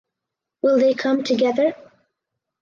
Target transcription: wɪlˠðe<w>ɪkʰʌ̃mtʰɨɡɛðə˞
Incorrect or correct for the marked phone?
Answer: incorrect: none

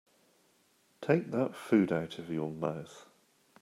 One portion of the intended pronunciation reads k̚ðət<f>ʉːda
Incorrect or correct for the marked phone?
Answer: correct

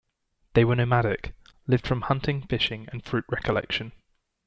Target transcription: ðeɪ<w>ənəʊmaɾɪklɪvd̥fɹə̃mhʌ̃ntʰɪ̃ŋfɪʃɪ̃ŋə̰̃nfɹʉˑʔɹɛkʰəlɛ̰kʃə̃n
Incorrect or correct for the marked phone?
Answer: correct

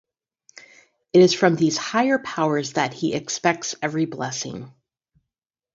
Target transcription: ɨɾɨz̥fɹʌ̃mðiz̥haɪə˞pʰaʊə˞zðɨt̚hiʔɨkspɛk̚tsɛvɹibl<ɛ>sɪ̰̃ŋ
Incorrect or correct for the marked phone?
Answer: correct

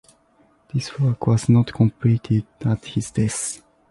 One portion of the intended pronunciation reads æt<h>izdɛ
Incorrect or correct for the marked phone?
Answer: correct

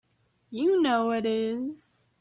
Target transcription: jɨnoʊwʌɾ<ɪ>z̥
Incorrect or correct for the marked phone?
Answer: correct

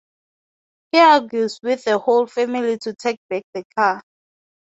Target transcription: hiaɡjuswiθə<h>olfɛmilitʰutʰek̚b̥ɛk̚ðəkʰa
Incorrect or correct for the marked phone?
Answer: correct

